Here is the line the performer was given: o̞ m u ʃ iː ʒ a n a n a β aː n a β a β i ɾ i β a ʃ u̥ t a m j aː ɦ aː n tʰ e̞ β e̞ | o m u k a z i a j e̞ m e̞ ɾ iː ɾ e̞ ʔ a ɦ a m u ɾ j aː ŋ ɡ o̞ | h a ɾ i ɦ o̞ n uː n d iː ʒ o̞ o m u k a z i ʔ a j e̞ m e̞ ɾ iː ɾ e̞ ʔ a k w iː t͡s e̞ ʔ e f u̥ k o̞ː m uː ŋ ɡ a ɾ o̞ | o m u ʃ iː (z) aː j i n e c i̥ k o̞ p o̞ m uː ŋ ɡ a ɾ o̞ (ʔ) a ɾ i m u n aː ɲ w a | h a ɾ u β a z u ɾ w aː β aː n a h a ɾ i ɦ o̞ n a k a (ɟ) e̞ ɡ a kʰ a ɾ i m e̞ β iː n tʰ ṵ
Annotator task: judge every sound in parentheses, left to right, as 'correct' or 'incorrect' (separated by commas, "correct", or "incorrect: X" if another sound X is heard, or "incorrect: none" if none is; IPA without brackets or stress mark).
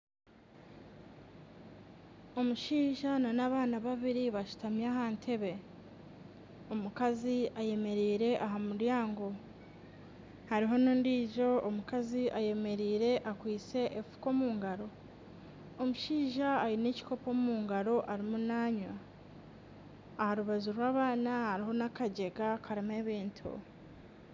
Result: incorrect: ʒ, correct, correct